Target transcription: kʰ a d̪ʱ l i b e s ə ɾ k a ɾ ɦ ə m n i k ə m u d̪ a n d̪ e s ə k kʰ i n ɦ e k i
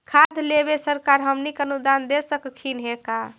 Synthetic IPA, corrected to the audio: kʰ a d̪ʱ l e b e s ə ɾ k a ɾ ɦ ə m n i k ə n u d̪ a n d̪ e s ə k kʰ i n ɦ e k a